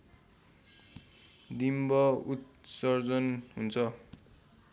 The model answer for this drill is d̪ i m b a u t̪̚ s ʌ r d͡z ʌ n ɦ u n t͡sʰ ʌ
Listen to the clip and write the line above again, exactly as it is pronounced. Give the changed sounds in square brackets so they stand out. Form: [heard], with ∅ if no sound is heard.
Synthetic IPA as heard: d̪ i m b [ʌ] u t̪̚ s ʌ r d͡z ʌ n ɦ u n t͡sʰ ʌ